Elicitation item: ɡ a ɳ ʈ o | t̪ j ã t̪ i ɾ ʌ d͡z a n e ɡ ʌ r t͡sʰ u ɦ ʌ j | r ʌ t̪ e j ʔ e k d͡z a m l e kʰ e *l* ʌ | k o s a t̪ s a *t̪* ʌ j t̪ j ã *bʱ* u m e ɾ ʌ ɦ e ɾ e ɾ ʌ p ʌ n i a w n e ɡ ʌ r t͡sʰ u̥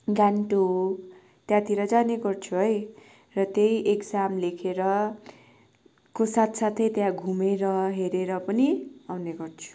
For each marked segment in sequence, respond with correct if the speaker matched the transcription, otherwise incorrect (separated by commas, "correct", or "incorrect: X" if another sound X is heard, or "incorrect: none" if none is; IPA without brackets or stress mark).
incorrect: ɾ, incorrect: t̪ʰ, incorrect: ɡʱ